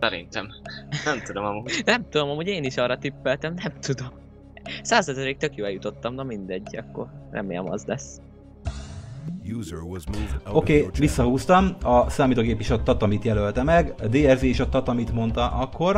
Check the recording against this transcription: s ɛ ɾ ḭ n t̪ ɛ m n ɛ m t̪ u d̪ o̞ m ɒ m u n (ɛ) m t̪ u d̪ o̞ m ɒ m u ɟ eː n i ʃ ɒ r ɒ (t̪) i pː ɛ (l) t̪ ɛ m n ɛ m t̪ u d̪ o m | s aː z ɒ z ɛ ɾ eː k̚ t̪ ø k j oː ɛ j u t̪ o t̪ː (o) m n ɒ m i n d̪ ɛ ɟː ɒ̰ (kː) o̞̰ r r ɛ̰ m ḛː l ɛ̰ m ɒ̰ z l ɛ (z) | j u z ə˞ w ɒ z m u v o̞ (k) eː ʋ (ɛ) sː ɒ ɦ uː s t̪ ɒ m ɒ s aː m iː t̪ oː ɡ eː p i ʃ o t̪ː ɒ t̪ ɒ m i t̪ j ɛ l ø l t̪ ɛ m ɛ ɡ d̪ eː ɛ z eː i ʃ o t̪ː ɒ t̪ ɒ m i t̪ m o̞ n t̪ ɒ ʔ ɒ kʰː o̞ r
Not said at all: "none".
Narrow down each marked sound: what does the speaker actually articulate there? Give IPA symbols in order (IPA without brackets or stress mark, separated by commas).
ɛ, t̪, l, ɒ, kː, s, k, i